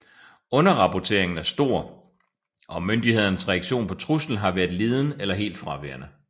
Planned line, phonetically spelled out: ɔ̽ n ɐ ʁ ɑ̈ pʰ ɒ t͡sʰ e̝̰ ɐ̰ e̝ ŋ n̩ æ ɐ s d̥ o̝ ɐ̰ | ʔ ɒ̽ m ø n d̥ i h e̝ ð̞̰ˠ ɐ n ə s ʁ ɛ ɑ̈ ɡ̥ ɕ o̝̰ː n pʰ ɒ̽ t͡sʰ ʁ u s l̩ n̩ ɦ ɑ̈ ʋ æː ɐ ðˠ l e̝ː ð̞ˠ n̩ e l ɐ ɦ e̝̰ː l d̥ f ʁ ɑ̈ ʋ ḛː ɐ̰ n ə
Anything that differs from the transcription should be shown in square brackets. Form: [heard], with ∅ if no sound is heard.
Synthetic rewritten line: ɔ̽ n ɐ ʁ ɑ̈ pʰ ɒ t͡sʰ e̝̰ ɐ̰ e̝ ŋ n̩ æ ɐ s d̥ o̝ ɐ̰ | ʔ ɒ̽ m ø n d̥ i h e̝ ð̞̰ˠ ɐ n ə s ʁ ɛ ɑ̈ ɡ̥ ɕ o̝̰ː n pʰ ɒ̽ t͡sʰ ʁ u s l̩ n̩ ɦ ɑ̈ ʋ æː ɐ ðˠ l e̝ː ð̞ˠ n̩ e l ɐ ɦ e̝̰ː l d̥ f ʁ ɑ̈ ʋ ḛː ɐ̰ n ə